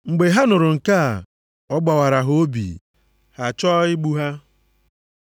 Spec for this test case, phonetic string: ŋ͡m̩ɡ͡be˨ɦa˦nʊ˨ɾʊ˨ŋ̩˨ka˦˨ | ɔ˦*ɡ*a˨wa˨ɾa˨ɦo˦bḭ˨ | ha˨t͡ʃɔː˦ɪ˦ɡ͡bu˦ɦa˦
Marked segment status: incorrect: ɡ͡b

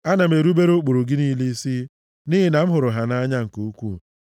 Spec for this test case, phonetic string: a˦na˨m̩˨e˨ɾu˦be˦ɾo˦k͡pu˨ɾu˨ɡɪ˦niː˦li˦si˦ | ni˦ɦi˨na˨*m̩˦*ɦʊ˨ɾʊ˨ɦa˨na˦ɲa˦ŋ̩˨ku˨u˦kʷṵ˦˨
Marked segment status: correct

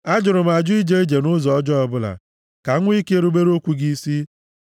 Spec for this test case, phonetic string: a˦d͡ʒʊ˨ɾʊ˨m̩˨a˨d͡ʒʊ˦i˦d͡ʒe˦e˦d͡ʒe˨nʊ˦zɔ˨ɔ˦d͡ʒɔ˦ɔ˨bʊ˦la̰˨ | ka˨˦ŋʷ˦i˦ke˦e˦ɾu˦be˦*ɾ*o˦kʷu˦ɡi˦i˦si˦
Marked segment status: correct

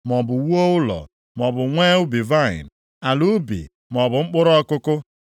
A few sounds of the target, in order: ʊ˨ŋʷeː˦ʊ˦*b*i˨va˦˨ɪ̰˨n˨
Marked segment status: correct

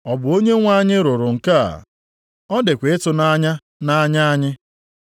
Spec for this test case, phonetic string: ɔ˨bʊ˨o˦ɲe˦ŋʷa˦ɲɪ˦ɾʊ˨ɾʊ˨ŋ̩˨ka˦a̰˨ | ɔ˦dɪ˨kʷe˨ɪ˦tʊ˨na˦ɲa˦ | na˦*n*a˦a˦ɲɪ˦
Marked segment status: incorrect: ɲ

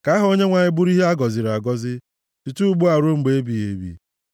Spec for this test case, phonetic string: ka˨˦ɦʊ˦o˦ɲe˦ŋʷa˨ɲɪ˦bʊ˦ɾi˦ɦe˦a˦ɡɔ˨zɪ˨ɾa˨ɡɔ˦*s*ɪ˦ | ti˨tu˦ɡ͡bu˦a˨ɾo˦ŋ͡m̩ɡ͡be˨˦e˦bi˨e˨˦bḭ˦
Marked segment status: incorrect: z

